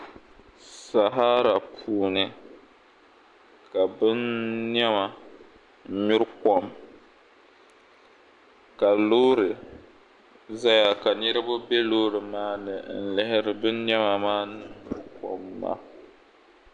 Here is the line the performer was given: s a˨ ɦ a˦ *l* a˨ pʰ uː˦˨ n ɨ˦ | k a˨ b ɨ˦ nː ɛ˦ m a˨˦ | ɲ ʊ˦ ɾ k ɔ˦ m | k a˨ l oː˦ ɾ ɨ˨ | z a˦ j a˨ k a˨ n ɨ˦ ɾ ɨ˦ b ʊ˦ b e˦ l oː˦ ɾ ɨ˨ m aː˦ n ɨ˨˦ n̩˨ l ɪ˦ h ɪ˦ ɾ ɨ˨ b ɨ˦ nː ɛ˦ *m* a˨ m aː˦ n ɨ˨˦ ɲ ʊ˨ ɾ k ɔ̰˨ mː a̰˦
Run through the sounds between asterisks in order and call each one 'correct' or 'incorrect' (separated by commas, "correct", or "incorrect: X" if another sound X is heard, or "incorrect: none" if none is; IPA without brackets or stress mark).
incorrect: ɾ, correct